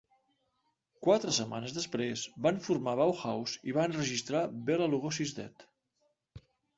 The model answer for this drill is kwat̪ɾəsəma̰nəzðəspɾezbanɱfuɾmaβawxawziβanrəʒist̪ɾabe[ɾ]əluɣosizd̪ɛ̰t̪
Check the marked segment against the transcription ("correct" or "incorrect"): incorrect